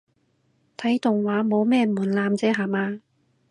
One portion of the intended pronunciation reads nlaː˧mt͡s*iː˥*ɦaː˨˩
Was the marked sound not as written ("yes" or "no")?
yes